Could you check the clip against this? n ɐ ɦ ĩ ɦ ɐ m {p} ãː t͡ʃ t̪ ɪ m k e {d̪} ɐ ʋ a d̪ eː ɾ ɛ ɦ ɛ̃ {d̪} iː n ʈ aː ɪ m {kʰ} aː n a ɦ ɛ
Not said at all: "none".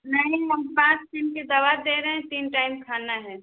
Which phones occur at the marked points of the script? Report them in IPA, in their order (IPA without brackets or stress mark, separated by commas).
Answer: p, d̪, t̪, kʰ